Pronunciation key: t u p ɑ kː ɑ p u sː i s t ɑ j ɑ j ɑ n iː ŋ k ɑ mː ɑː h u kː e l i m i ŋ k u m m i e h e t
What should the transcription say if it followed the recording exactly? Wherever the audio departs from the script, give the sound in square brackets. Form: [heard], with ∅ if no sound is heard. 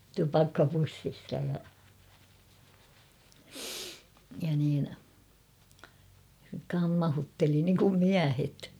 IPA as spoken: t u p ɑ kː ɑ p u sː i s t ɑ j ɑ j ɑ n iː [n] k ɑ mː [ɑ] h u [tː] e l i [n] i ŋ k u m m i [æ] h e t